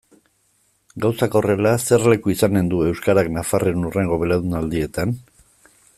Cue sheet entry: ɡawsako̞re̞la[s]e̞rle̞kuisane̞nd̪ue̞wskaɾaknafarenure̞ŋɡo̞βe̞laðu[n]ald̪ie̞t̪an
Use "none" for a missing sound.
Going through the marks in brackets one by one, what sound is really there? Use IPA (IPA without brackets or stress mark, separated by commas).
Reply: s, n